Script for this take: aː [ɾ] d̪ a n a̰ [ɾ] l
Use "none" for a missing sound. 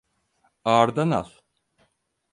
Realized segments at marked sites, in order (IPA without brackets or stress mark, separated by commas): ɾ, none